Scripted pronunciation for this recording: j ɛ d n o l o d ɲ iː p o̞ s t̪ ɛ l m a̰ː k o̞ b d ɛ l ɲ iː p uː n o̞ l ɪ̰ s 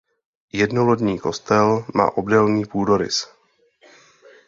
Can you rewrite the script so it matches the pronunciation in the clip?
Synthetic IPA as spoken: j ɛ d n o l o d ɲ iː k o̞ s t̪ ɛ l m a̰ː ʔ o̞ b d ɛ l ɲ iː p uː d o̞ ɾ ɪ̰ s